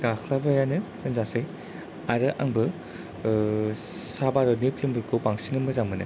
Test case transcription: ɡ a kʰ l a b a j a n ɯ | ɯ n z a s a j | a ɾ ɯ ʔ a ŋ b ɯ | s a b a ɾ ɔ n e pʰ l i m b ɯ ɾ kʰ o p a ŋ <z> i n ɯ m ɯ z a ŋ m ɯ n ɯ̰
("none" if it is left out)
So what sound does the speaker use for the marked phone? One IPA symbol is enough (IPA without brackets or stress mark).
s